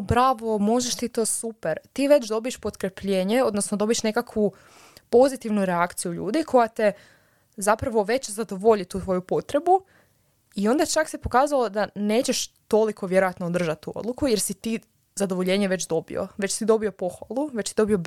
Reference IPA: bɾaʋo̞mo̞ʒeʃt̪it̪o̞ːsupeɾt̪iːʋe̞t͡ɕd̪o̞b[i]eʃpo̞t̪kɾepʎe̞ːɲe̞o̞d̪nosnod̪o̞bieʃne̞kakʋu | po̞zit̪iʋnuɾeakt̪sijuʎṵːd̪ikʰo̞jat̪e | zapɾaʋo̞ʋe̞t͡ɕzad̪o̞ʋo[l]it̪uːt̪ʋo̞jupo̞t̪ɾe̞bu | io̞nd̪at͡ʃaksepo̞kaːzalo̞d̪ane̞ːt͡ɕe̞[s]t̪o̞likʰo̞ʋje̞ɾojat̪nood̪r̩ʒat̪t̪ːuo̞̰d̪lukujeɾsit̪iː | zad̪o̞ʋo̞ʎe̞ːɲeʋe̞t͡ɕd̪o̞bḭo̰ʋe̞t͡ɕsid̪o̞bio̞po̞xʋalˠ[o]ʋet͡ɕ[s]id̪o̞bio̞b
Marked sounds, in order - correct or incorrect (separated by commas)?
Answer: correct, incorrect, incorrect, incorrect, correct